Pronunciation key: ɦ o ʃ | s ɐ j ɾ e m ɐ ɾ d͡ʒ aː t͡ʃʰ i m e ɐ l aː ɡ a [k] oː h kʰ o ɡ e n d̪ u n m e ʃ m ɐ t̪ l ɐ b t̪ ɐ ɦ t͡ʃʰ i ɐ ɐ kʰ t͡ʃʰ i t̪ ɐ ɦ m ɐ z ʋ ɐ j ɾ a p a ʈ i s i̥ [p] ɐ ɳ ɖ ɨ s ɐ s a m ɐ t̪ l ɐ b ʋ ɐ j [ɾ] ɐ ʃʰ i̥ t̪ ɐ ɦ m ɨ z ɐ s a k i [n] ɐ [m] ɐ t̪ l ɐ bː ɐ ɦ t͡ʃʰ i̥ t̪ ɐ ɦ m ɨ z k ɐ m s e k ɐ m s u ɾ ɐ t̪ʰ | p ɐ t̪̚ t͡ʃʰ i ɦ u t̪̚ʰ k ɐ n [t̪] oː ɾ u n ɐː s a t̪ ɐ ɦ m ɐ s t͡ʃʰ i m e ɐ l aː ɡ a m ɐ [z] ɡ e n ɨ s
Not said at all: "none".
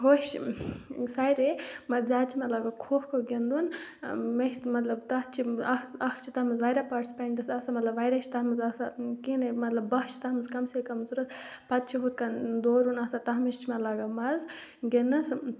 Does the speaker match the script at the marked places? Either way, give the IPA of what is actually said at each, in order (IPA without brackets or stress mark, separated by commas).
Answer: kʰ, p, ɾ, n, m, d̪, z